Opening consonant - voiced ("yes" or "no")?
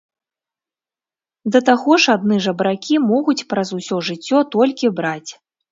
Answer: yes